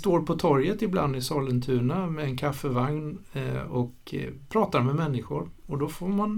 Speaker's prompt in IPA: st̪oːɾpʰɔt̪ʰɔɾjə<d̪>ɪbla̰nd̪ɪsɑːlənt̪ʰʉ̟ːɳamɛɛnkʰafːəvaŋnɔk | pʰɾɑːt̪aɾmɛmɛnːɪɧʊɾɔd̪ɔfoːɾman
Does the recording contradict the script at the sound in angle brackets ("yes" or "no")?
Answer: yes